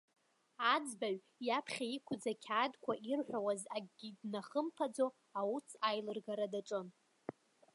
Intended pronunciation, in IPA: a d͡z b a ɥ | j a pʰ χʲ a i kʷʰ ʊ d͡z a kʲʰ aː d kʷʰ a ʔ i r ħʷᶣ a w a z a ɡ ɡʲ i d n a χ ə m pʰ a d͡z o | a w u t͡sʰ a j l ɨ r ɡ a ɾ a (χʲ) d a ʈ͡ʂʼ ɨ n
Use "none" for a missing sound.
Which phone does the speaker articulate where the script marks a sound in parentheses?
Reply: none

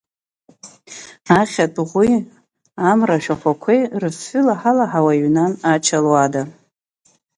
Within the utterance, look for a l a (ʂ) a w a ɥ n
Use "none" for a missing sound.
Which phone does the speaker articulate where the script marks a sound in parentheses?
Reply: ħ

